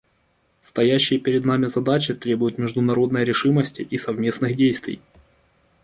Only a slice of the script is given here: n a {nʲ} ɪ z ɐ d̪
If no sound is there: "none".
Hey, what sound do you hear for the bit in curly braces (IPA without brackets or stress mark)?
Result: mʲ